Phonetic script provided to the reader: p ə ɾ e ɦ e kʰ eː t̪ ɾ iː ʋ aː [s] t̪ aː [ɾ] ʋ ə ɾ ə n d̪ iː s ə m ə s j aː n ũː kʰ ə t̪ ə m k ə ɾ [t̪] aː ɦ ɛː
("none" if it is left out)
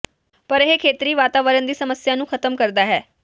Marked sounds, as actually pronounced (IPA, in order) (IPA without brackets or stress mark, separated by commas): none, none, d̪